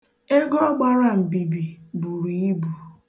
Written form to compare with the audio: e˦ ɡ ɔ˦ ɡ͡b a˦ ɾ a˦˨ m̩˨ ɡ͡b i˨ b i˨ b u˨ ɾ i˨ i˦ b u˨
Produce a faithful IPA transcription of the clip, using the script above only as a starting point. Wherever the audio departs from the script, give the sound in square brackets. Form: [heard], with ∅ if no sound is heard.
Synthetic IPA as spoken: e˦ ɡ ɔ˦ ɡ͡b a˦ ɾ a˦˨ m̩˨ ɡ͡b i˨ b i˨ b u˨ ɾ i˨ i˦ b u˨

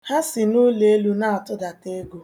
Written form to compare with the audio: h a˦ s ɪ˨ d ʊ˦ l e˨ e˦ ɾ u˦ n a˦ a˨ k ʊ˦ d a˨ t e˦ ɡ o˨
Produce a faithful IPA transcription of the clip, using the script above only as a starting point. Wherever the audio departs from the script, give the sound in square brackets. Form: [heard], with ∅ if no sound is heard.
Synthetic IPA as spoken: h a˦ s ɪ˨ [n] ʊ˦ l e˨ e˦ [l] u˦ n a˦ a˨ [t] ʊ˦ d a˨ t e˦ ɡ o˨

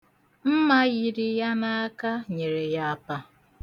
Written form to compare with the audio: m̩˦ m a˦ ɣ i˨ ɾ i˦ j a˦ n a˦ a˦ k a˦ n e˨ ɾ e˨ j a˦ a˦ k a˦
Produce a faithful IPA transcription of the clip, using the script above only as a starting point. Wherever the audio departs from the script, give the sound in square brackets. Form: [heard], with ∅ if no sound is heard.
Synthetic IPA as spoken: m̩˦ m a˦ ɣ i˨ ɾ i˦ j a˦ n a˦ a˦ k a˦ [ɲ] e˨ ɾ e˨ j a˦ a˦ [p] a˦

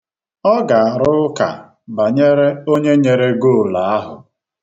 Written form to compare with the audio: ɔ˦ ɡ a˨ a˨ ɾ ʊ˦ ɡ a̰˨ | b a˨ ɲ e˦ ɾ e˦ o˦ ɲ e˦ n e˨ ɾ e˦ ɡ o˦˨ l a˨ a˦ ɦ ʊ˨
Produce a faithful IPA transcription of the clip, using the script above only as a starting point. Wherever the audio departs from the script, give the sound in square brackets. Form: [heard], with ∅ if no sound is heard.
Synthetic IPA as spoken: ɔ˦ ɡ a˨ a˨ ɾ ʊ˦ [k] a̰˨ | b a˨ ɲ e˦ ɾ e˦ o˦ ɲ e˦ [ɲ] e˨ ɾ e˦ ɡ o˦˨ l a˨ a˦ ɦ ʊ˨

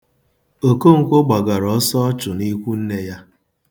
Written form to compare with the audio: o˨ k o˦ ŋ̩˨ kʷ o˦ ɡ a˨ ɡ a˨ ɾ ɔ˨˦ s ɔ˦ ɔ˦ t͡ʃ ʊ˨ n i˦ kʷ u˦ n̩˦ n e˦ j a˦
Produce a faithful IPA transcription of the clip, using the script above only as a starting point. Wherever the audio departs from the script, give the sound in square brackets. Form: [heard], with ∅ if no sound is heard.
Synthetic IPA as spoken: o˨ k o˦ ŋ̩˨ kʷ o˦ [ɡ͡b] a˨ ɡ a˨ ɾ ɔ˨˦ s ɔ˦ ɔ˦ t͡ʃ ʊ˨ n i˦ kʷ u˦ n̩˦ n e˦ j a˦

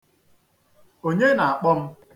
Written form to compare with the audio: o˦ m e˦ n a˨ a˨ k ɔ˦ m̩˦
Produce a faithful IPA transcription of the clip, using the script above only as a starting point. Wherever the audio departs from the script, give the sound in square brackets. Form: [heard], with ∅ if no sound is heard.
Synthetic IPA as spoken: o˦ [ɲ] e˦ n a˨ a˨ [k͡p] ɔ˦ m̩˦

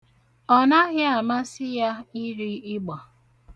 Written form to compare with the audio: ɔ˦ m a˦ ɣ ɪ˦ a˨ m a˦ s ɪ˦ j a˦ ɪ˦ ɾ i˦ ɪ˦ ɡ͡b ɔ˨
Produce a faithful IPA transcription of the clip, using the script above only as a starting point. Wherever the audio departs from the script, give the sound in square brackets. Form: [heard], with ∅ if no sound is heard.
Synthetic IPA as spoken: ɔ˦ [n] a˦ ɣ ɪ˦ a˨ m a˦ s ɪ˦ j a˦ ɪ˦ ɾ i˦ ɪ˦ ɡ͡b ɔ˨

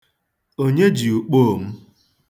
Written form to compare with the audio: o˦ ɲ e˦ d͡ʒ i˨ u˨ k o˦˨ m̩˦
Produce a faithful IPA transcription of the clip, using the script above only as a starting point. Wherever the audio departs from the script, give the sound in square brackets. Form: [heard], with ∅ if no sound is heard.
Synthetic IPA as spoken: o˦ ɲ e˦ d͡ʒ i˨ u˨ [k͡p] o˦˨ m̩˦

